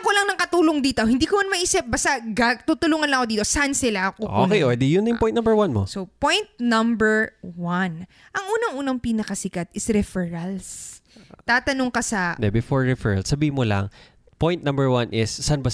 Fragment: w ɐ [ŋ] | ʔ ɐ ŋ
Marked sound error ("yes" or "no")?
yes